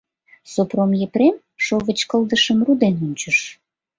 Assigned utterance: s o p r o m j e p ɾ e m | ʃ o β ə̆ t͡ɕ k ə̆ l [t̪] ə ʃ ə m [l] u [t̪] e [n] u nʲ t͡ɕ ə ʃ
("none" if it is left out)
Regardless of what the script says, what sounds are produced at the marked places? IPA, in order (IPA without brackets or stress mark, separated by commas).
d̪, r, d̪, n